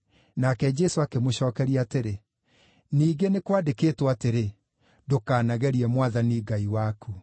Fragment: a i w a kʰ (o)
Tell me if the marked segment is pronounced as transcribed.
no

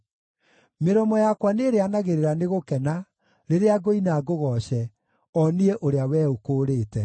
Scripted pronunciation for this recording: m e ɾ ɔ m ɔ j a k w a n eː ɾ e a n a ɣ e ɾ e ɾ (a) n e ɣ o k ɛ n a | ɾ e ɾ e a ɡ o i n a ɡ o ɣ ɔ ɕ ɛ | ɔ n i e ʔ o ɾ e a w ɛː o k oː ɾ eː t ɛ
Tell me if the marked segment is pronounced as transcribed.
yes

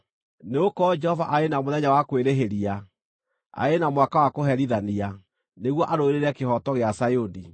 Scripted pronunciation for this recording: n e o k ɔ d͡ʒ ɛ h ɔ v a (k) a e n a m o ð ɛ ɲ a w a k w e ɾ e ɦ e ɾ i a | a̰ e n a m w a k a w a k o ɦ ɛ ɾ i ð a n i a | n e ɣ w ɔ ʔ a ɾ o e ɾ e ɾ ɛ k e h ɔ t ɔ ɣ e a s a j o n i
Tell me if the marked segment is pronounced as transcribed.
no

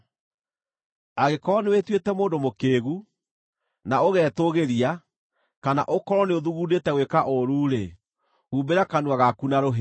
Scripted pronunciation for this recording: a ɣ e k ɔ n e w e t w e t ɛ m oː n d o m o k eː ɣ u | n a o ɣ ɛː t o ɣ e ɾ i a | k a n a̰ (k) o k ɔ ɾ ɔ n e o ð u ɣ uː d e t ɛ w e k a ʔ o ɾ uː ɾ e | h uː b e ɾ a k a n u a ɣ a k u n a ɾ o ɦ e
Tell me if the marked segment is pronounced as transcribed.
no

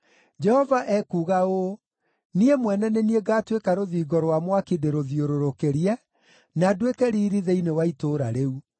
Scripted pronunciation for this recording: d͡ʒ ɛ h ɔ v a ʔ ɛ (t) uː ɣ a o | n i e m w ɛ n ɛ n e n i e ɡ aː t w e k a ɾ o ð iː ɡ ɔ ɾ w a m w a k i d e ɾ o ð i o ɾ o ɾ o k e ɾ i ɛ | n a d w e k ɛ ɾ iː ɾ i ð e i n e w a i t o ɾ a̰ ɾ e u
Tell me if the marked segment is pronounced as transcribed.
no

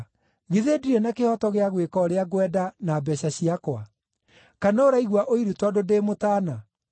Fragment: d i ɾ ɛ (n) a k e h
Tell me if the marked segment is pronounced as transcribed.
yes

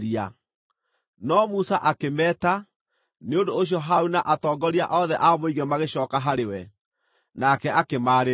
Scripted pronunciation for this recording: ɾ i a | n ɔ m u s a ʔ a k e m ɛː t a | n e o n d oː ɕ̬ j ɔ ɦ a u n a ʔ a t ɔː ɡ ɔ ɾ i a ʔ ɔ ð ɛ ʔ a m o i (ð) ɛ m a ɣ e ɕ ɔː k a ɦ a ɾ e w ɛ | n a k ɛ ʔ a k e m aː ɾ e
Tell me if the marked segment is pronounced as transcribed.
no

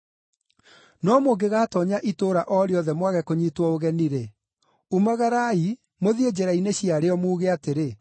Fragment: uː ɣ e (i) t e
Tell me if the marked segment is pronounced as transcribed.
no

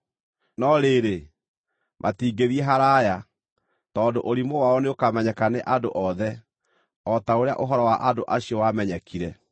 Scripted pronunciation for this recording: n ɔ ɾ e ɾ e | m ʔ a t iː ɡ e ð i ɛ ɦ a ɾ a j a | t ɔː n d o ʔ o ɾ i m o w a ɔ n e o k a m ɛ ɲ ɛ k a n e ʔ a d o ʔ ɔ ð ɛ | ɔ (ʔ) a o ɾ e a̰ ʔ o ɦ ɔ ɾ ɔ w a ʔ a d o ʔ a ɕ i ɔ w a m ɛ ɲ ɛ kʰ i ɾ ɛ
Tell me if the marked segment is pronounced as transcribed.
no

